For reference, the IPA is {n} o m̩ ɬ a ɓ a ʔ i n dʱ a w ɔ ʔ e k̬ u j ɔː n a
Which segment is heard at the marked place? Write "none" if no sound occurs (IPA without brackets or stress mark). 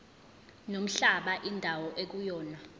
n